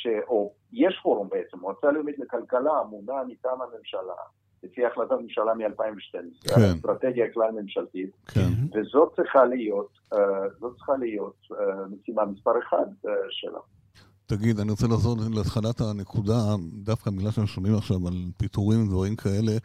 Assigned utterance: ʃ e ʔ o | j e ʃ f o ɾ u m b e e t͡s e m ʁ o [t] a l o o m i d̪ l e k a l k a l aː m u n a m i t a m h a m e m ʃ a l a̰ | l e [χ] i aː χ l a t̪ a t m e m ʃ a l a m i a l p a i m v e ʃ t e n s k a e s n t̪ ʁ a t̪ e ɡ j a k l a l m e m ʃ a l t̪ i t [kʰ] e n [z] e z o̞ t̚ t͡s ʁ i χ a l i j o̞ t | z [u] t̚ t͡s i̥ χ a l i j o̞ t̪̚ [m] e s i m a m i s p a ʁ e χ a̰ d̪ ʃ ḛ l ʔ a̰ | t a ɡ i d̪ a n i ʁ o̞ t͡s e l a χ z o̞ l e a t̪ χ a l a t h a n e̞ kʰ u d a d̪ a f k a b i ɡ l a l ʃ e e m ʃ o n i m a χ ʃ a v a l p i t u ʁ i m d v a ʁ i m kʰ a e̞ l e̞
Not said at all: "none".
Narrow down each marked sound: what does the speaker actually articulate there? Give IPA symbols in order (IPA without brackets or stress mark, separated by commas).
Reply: t͡s, f, kʰ, v, o, m